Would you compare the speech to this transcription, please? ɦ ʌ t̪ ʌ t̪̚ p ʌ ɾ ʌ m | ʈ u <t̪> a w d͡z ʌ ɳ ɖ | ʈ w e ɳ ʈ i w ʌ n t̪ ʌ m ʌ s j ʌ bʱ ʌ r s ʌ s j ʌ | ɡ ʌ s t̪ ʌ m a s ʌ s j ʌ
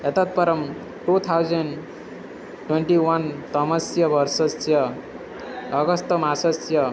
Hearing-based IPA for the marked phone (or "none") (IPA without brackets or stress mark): t̪ʰ